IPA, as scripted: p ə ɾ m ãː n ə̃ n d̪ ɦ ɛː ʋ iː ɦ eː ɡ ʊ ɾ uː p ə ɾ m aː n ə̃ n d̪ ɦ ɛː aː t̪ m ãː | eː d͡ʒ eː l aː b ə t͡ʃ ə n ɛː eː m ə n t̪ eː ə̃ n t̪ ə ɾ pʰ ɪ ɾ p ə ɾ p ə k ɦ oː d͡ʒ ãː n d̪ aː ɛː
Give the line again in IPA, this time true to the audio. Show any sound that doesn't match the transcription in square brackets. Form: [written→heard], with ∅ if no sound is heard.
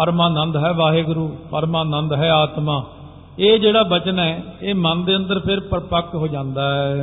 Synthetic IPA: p ə ɾ m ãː n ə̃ n d̪ ɦ ɛː ʋ [iː→aː] ɦ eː ɡ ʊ ɾ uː p ə ɾ m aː n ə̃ n d̪ ɦ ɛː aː t̪ m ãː | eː d͡ʒ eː [l→ɽ] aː b ə t͡ʃ ə n ɛː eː m ə n [t̪→d̪] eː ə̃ n [t̪→d̪] ə ɾ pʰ ɪ ɾ p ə ɾ p ə k ɦ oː d͡ʒ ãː n d̪ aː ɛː